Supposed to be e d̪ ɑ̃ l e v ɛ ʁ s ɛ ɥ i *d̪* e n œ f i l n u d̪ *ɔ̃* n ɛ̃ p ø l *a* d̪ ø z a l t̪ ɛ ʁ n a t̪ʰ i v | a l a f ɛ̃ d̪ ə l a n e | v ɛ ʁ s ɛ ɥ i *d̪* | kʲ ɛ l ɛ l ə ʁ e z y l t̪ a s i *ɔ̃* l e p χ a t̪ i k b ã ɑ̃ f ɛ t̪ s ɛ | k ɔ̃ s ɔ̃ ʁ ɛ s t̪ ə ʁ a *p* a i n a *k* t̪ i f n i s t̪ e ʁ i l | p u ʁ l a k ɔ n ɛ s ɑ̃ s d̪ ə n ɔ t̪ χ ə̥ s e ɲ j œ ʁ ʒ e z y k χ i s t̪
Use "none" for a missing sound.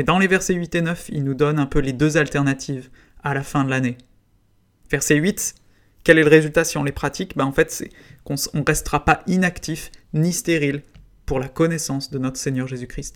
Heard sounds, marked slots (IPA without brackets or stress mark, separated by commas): t̪, ɔ, e, t̪, ɔ̃, p, k